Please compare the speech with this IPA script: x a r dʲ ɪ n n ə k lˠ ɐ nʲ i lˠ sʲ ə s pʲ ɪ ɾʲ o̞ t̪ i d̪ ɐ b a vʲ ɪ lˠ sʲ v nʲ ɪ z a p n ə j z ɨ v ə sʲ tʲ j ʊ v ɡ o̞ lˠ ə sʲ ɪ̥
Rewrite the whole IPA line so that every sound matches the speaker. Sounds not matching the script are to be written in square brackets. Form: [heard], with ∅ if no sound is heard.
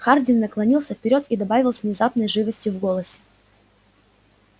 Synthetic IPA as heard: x a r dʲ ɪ n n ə k lˠ ɐ nʲ i lˠ sʲ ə [f] pʲ ɪ ɾʲ o̞ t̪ i d̪ ɐ b a vʲ ɪ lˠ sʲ v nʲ ɪ z a p n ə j [ʐ] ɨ v ə sʲ tʲ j ʊ v ɡ o̞ lˠ ə sʲ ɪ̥